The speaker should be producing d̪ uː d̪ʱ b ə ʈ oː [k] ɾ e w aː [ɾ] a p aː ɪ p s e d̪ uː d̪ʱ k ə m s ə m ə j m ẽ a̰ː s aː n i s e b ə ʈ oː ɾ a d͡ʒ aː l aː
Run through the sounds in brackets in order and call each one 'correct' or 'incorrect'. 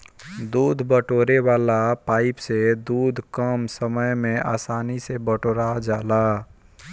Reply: incorrect, incorrect

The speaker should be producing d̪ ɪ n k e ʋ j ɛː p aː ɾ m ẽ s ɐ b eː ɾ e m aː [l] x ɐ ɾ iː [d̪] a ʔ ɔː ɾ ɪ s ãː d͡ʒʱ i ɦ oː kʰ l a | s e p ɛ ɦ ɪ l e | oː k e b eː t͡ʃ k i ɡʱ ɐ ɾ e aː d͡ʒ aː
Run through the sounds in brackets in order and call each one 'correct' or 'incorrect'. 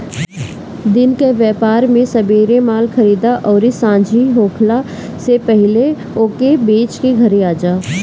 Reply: correct, correct

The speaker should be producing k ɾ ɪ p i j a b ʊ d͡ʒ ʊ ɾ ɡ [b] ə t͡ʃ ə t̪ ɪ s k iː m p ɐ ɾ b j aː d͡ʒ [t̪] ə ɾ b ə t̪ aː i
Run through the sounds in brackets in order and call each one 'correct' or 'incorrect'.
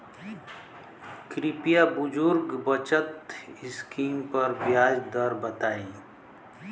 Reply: correct, incorrect

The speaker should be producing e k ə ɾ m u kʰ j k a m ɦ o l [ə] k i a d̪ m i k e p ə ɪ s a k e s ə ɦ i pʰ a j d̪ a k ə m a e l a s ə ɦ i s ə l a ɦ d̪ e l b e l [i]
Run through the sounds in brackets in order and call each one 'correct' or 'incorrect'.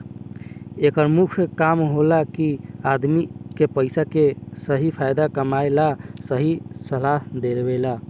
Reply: incorrect, incorrect

